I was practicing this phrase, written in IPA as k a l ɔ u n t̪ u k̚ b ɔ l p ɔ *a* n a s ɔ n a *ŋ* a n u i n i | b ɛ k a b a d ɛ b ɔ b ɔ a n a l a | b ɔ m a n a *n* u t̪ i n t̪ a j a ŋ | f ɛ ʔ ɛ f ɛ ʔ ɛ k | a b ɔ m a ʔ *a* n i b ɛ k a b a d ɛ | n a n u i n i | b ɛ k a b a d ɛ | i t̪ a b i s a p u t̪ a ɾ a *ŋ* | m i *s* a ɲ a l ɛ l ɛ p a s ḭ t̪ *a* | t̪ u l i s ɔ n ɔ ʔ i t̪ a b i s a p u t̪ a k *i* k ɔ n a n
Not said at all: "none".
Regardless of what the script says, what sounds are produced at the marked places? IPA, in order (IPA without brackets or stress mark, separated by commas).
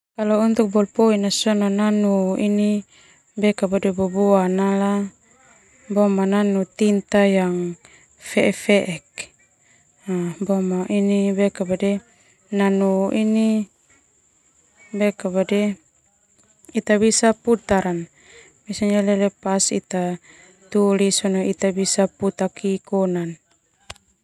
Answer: i, n, n, i, n, s, a, i